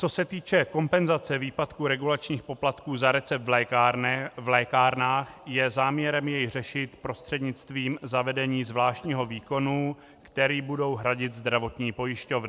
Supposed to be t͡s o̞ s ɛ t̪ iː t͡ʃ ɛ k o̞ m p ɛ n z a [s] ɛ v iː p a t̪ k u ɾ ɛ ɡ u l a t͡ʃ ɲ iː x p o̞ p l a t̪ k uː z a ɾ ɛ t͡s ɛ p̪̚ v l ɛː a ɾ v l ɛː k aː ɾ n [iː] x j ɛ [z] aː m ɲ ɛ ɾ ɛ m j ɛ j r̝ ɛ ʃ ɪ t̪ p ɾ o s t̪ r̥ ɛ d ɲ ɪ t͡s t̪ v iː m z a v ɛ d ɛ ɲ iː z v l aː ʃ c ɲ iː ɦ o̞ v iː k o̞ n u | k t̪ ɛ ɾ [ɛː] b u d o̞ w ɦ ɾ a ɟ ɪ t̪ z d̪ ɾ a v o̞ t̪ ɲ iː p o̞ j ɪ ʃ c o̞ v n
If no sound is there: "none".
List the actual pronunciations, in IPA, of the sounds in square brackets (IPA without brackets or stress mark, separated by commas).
t͡s, aː, z, iː